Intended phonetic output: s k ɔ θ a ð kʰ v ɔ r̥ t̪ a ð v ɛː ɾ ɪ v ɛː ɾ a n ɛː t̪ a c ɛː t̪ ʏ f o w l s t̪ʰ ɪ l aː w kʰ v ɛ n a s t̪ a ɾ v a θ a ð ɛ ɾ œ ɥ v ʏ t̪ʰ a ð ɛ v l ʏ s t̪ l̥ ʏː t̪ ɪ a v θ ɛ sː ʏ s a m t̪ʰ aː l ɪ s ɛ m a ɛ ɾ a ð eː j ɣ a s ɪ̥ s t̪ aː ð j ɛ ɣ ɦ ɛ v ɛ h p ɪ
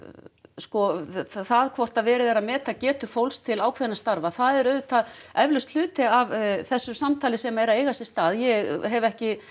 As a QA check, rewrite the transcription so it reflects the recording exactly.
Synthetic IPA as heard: s k ɔ θ a ð kʰ v ɔ r̥ t̪ a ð v ɛː ɾ ɪ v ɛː ɾ a m ɛː t̪ a c ɛː t̪ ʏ f o w l s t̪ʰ ɪ l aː w kʰ v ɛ n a s t̪ a ɾ v a θ a ð ɛ ɾ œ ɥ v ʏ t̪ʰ a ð ɛ v l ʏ s t̪ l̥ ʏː t̪ ɪ a v θ ɛ sː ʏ s a m t̪ʰ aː l ɪ s ɛ m a ɛ ɾ a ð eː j ɣ a s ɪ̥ s t̪ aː ð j ɛ ɣ ɦ ɛ v ɛ h c ɪ